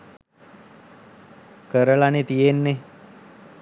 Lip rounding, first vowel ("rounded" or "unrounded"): unrounded